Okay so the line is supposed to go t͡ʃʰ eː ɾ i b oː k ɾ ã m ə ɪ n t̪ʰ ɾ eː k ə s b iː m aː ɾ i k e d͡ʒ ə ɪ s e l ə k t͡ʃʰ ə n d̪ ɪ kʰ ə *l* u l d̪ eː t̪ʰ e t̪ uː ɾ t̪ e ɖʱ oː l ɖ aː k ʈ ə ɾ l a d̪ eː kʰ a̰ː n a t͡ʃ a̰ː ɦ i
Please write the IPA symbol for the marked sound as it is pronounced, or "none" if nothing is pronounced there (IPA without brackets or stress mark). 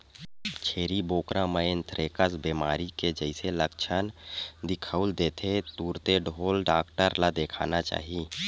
none